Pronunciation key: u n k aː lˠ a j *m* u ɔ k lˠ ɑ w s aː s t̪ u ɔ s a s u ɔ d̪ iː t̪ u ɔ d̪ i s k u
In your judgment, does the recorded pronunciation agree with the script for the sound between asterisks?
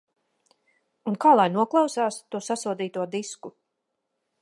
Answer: no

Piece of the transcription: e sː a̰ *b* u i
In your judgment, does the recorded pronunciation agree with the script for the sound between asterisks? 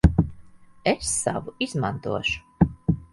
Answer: no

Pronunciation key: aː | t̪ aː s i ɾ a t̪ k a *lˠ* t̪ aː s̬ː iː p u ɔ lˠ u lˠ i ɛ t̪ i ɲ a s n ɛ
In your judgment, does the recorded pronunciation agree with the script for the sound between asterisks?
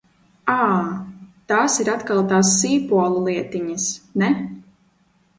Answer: yes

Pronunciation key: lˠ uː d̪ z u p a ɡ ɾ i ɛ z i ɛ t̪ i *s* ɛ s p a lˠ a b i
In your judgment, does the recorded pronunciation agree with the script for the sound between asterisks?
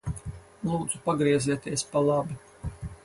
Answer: no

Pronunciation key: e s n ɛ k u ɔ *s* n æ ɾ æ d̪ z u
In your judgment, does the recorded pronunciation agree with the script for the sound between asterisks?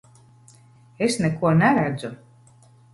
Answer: no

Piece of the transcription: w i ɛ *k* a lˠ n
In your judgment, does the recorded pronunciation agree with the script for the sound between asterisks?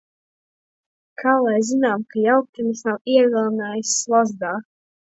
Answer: no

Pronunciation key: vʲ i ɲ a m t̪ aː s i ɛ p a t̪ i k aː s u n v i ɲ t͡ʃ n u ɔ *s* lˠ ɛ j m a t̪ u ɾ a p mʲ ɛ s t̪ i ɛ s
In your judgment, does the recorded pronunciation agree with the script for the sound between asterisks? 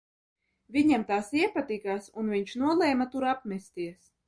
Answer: no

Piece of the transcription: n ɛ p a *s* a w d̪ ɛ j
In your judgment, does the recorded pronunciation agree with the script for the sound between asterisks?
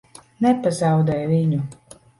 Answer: no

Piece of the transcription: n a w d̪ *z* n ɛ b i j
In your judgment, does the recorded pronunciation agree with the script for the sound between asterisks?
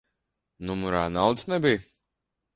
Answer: no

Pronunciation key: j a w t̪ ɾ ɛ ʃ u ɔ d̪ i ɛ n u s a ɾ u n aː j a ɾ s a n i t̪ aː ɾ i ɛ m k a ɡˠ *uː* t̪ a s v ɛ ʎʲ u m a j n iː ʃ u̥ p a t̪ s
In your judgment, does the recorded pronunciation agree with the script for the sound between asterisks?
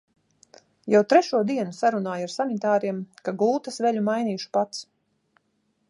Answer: yes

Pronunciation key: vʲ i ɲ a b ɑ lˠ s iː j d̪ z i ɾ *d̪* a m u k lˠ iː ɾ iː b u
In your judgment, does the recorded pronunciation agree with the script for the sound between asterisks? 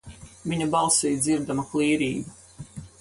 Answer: yes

